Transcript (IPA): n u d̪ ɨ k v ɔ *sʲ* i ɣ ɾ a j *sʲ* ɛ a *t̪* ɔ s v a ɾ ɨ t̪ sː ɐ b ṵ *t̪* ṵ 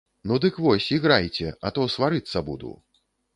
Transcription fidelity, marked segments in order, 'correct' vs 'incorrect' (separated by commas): correct, incorrect, correct, incorrect